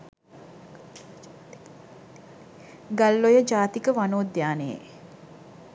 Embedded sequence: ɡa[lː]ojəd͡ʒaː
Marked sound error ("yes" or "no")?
no